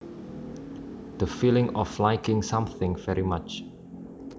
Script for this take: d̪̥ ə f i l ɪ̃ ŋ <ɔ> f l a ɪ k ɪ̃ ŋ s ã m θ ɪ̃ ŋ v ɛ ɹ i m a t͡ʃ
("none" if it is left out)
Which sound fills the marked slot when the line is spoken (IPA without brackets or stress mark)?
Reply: ɔ